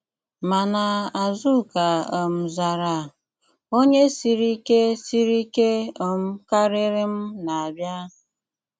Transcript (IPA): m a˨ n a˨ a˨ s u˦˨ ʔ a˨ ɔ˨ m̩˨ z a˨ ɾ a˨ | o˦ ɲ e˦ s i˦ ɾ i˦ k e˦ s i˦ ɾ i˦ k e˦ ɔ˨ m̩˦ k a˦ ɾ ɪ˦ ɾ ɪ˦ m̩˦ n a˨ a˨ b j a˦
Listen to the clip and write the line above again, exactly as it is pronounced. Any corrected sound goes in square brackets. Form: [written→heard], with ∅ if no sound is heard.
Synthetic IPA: m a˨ n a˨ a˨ [s→z] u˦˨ [ʔ→k] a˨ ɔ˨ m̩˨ z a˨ ɾ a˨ | o˦ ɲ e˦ s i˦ ɾ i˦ k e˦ s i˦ ɾ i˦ k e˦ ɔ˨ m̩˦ k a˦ ɾ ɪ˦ ɾ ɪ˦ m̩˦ n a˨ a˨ b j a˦